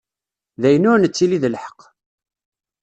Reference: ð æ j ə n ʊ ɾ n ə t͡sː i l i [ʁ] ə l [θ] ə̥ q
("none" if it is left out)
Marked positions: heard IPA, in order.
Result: ð, ħ

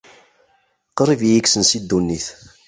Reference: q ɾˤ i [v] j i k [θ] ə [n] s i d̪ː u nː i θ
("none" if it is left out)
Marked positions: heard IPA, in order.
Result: v, s, n

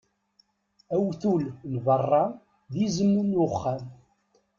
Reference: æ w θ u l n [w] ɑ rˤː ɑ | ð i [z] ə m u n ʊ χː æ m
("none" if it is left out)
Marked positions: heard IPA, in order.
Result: v, z

